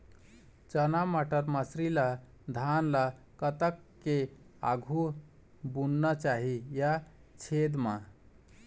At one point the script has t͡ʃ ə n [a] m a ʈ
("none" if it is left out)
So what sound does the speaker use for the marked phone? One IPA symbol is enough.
a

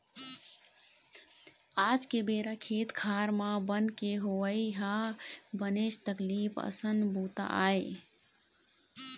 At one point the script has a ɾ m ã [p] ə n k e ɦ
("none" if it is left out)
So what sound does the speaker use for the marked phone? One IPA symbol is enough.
b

